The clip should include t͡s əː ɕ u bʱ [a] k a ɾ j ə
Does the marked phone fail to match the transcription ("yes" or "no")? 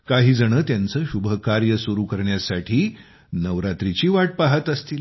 yes